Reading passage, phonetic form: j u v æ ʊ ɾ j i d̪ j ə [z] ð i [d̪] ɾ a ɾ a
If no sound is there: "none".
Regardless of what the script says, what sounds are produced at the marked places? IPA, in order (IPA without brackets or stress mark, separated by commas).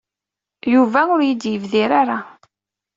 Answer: v, none